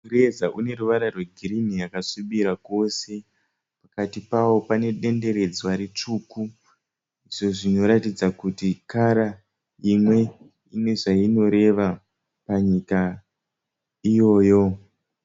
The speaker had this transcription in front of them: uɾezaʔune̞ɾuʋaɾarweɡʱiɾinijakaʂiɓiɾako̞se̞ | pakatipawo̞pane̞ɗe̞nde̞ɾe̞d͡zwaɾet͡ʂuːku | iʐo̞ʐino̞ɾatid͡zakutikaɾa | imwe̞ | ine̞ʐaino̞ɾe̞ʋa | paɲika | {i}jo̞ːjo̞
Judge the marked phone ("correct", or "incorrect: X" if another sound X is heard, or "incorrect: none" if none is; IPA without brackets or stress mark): correct